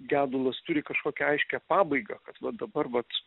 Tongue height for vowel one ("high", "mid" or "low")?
low